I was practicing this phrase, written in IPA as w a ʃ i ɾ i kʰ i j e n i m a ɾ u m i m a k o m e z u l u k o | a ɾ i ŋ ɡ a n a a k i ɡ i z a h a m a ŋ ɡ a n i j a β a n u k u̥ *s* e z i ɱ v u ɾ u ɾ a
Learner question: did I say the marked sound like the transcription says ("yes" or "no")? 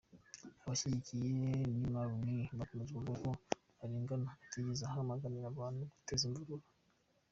no